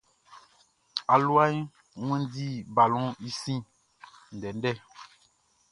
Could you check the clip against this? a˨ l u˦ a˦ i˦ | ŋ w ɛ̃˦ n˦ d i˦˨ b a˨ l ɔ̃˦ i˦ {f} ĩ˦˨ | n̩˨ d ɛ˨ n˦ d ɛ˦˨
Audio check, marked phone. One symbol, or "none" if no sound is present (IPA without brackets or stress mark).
s